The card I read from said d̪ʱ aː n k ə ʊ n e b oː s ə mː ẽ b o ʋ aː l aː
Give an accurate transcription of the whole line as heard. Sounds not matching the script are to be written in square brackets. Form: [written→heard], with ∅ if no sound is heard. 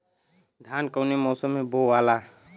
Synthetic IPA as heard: d̪ʱ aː n k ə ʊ n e [b→m] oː s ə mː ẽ b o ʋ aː l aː

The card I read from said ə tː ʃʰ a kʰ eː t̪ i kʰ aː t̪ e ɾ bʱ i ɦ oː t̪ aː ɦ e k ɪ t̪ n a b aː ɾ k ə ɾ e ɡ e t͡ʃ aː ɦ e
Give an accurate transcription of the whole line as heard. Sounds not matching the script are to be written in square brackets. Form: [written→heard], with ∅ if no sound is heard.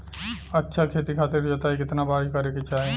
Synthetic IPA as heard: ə tː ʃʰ a kʰ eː t̪ i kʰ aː t̪ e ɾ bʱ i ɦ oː t̪ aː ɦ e k ɪ t̪ n a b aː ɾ k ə ɾ e [ɡ→k] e t͡ʃ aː ɦ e

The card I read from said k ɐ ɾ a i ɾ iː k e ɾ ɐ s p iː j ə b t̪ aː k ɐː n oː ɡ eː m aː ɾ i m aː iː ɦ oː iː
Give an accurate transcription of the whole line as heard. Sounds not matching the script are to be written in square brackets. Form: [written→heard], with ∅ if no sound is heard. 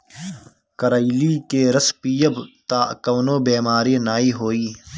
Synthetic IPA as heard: k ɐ ɾ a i [ɾ→l] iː k e ɾ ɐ s p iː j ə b t̪ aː k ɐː n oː [ɡ→b] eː m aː ɾ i [m→n] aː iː ɦ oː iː

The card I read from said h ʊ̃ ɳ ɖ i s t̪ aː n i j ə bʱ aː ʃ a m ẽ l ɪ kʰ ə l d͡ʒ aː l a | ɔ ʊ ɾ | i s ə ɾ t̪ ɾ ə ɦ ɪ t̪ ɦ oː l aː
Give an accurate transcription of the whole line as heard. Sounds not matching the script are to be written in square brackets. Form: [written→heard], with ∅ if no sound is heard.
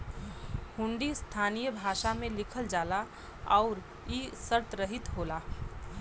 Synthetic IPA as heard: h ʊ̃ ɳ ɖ i s [t̪→t̪ʰ] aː n i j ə bʱ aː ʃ a m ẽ l ɪ kʰ ə l d͡ʒ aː l a | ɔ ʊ ɾ | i s ə ɾ t̪ ɾ ə ɦ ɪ t̪ ɦ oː l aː

